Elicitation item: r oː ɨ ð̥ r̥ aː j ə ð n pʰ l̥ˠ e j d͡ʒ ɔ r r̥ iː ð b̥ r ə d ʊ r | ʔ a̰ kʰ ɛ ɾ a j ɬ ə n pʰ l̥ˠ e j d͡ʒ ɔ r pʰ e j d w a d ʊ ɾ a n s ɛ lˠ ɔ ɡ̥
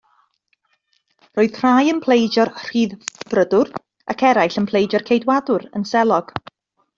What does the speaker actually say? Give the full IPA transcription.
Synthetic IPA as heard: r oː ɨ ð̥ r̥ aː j ə n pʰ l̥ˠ e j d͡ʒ ɔ r r̥ iː ð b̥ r ə d ʊ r | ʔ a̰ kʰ ɛ ɾ a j ɬ ə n pʰ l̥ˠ e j d͡ʒ ɔ r kʰ e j d w a d ʊ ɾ ə n s ɛ lˠ ɔ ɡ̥